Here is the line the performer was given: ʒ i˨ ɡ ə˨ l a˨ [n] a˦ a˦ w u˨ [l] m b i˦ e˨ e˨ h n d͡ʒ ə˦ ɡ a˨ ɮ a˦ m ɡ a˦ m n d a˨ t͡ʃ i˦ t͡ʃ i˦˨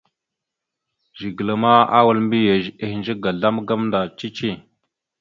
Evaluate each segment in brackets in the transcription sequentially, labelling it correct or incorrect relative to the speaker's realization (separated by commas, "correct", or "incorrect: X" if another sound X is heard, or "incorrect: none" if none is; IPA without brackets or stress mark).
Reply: incorrect: m, correct